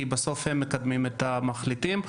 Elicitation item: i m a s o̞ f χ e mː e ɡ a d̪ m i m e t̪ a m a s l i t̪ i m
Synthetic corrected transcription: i b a s o̞ f h e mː e k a d̪ m i m e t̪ a m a χ l i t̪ i m